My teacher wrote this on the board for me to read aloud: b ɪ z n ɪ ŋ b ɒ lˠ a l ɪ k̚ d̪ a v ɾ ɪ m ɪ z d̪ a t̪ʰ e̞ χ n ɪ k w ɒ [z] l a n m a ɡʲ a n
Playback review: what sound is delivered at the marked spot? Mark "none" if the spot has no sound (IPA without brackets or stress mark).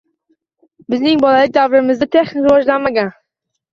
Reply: ʒ